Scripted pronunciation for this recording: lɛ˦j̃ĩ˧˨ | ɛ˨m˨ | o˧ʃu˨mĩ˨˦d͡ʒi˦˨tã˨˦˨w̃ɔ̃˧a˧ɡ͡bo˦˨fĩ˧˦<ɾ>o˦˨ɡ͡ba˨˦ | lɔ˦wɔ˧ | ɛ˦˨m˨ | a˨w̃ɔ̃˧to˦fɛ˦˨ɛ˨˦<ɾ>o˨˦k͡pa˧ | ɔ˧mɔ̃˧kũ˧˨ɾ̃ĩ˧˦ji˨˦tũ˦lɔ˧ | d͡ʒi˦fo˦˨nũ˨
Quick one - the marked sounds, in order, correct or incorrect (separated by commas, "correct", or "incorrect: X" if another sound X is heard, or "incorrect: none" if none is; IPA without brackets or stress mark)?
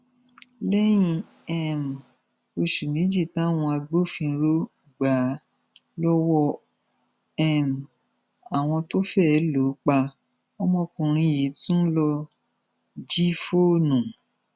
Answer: correct, incorrect: l